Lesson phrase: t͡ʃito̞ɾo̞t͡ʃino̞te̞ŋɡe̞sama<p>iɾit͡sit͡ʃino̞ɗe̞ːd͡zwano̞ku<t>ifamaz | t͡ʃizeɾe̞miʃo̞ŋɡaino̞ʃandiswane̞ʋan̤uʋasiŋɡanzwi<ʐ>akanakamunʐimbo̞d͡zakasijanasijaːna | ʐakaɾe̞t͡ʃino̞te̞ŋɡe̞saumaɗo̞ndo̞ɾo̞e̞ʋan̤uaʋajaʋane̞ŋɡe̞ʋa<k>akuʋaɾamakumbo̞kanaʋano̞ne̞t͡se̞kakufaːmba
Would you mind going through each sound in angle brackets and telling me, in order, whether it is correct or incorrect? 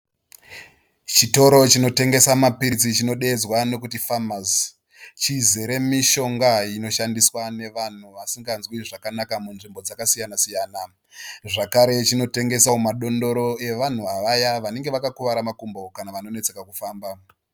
correct, correct, correct, correct

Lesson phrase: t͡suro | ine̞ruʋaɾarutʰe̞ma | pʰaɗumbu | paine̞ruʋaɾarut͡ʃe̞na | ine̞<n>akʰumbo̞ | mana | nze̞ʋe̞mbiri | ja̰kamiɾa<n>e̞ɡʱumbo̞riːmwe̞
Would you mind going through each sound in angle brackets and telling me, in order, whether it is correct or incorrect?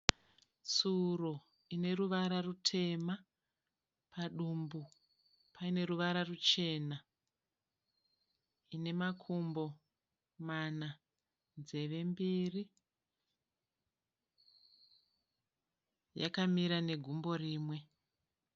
incorrect: m, correct

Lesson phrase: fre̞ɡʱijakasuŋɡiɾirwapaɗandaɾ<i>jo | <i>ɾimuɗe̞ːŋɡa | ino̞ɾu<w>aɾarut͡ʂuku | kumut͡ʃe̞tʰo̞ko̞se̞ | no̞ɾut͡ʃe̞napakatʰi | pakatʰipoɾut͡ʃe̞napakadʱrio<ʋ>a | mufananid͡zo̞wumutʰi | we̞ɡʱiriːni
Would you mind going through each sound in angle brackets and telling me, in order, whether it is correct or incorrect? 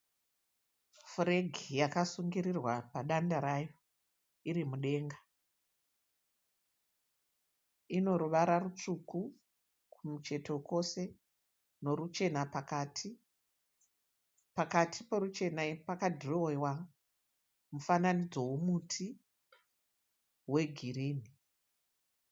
incorrect: a, correct, incorrect: ʋ, incorrect: w

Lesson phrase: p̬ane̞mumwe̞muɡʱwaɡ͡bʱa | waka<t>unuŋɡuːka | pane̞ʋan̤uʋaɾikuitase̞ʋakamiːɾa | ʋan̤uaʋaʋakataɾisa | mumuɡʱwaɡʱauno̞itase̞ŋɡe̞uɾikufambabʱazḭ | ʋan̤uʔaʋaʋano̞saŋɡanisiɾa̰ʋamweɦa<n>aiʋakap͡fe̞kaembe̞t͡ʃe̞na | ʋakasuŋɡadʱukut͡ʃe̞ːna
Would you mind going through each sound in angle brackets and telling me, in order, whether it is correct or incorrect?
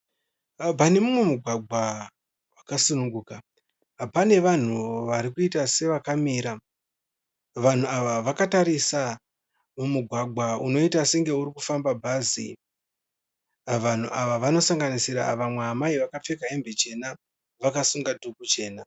incorrect: s, incorrect: m

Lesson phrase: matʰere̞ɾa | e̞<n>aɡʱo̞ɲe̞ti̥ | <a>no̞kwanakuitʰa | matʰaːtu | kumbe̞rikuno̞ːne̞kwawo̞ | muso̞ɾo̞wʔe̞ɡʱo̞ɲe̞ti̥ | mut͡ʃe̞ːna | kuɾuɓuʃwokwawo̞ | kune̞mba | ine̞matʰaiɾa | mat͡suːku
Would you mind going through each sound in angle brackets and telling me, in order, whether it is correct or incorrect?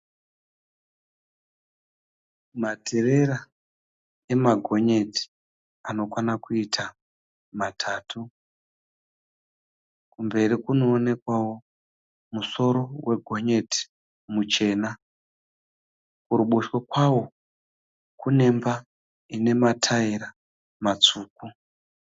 incorrect: m, correct

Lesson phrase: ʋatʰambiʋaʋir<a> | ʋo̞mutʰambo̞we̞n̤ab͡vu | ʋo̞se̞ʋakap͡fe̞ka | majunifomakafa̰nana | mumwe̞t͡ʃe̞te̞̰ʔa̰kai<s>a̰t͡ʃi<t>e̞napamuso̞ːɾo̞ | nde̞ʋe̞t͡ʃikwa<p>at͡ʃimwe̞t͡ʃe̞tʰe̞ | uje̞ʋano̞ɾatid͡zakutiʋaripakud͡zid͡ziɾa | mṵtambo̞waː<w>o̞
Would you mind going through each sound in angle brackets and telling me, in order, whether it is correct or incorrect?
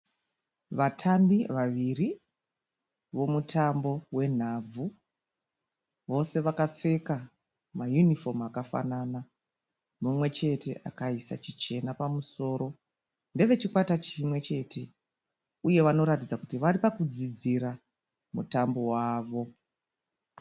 incorrect: i, correct, incorrect: t͡ʃ, incorrect: t, incorrect: ʋ

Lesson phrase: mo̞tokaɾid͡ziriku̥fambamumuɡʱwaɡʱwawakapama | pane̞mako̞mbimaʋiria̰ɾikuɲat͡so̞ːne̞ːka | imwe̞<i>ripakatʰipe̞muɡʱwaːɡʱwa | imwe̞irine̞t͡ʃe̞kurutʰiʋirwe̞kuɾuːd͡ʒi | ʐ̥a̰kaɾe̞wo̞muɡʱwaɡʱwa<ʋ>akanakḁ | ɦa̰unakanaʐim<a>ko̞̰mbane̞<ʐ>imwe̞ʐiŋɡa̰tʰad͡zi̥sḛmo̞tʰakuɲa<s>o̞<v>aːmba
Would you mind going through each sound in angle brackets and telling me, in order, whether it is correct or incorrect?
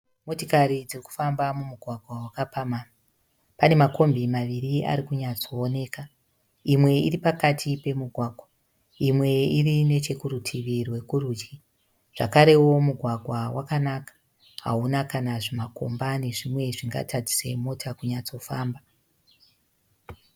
correct, incorrect: w, correct, correct, incorrect: t͡s, incorrect: f

